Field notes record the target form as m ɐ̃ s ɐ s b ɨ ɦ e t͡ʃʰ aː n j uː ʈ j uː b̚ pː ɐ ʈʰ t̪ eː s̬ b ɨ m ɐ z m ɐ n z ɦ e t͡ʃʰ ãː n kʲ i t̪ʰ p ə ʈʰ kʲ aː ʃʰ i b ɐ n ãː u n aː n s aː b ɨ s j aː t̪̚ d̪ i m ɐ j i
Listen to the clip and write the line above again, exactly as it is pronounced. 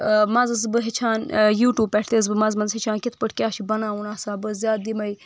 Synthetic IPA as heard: m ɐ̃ z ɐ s b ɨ ɦ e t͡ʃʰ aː n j uː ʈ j uː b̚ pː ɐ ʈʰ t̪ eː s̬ b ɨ m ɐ z m ɐ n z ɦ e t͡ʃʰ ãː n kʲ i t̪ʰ p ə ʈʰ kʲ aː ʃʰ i b ɐ n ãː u n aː s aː b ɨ z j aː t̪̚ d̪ i m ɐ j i